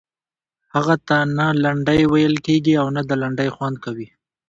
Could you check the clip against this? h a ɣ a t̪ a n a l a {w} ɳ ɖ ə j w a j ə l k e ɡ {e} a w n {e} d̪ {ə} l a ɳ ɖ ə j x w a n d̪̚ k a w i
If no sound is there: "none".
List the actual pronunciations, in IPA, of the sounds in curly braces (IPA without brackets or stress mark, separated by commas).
none, i, a, ə